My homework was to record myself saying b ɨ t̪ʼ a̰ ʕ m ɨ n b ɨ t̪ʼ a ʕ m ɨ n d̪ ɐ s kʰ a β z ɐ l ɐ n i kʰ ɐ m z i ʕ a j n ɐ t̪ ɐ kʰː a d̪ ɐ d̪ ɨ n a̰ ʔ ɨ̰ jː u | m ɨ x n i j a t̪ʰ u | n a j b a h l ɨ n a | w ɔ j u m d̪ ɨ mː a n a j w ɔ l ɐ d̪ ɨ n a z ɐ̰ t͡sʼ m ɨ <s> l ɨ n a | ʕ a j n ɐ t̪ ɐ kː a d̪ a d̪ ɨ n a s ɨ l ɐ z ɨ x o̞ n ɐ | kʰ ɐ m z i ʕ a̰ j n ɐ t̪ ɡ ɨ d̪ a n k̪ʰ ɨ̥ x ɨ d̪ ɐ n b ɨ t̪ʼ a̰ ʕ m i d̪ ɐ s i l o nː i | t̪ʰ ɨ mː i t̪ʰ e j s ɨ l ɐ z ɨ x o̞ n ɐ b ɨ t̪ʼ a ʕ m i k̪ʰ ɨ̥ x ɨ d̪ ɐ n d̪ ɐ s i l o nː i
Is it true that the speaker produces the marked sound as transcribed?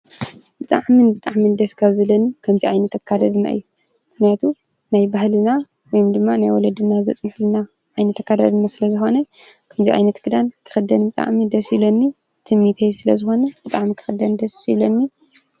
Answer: no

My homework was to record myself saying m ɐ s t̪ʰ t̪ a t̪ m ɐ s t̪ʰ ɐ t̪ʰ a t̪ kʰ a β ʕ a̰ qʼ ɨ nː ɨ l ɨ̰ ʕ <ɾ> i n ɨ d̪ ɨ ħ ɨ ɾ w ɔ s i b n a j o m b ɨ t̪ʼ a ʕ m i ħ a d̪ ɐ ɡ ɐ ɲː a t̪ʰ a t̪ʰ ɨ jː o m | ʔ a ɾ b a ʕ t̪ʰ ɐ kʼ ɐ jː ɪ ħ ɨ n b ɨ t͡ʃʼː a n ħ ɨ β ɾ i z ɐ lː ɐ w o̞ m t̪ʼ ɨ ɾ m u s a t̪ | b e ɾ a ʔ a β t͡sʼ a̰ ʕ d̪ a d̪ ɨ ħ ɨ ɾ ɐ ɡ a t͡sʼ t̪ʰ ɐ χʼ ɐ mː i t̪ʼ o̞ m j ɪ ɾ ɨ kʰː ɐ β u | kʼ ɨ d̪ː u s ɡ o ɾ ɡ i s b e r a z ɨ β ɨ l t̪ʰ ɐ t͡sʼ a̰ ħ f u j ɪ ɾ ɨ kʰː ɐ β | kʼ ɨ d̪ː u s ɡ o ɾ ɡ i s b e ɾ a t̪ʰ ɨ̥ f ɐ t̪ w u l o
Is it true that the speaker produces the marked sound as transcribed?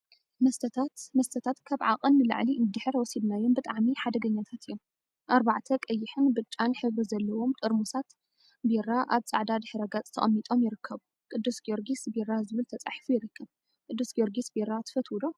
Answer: no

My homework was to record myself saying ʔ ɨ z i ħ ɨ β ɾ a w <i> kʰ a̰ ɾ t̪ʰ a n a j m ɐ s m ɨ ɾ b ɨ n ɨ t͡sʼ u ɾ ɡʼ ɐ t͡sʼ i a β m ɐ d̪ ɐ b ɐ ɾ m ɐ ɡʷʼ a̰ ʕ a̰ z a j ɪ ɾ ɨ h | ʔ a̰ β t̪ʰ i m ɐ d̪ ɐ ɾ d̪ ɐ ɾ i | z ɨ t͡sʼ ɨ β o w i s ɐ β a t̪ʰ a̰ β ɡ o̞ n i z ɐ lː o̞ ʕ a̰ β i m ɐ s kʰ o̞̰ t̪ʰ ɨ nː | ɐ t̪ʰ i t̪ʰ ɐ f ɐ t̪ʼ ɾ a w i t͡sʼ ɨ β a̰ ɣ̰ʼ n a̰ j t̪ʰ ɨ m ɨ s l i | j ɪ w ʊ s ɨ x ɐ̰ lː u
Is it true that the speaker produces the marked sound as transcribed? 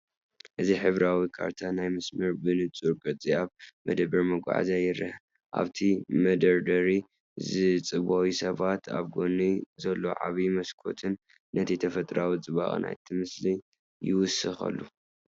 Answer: yes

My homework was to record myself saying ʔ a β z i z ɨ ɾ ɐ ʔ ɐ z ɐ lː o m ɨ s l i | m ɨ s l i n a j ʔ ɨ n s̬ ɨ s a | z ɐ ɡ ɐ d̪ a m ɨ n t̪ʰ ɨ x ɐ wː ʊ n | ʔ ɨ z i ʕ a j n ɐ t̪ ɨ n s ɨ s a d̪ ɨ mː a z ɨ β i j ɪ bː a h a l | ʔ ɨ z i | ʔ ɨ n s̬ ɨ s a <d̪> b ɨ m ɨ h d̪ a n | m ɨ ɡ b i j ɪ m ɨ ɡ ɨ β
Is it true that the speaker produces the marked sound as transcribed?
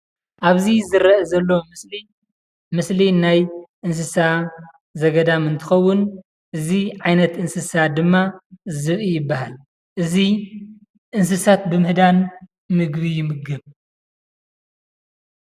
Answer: no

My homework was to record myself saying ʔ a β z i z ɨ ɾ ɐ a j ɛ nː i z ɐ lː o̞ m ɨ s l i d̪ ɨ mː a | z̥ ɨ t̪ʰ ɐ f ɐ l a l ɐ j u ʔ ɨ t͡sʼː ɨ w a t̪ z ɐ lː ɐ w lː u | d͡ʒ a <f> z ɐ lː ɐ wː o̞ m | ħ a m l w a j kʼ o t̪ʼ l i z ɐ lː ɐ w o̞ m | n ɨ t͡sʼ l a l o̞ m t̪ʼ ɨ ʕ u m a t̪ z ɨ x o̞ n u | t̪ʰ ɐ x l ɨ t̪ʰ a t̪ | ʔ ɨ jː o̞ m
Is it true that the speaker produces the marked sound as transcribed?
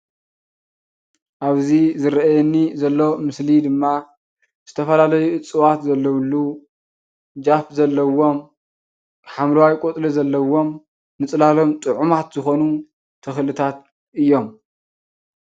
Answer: yes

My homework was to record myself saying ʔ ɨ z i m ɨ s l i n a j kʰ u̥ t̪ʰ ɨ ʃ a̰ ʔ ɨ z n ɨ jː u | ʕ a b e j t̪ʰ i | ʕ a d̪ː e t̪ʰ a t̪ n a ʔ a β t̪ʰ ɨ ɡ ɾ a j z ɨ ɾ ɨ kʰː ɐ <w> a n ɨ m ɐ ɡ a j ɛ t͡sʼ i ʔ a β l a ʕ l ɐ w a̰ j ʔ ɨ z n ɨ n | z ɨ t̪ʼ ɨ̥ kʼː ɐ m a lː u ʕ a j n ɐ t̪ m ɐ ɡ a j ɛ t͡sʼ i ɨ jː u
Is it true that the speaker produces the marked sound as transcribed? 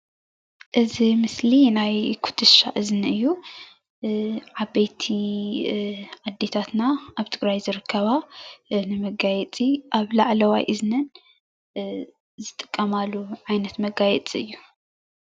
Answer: no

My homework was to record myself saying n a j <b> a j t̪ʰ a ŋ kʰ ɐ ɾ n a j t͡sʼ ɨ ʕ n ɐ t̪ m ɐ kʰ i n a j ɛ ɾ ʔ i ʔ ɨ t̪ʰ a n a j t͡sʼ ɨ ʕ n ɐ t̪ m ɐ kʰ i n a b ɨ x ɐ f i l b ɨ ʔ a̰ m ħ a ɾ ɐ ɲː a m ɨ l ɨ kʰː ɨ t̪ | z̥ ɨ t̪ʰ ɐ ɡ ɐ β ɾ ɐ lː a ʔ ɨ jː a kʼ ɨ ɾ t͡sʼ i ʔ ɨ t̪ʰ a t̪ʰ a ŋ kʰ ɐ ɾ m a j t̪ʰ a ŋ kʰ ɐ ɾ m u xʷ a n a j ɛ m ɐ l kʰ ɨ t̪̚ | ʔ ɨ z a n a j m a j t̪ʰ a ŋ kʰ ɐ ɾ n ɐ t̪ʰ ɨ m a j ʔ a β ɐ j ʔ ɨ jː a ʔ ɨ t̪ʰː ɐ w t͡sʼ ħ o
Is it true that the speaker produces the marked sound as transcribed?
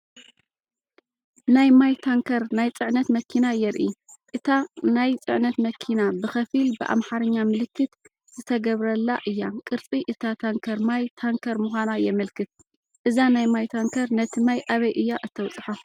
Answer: no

